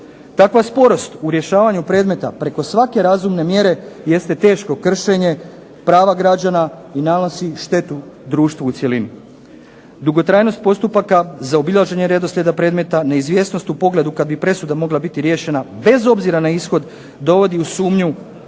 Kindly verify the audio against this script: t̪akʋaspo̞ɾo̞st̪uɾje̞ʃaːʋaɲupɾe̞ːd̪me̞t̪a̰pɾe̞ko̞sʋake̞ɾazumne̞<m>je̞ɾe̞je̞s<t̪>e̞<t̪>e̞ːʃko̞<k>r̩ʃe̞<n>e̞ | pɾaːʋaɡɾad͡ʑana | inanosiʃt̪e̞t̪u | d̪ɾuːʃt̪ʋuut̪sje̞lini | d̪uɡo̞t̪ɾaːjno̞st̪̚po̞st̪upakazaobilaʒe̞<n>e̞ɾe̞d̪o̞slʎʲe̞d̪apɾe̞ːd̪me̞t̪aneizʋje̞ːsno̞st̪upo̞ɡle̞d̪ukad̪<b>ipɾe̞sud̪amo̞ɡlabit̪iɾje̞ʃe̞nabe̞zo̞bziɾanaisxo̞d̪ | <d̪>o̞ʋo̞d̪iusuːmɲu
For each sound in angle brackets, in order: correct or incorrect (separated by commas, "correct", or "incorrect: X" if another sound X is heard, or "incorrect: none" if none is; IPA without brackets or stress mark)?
correct, correct, correct, correct, incorrect: ɲ, incorrect: ɲ, correct, correct